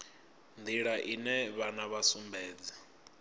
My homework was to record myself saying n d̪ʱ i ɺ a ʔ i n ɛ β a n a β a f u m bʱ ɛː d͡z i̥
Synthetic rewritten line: n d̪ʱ i ɺ a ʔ i n ɛ β a n a β a s u m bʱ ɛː d͡z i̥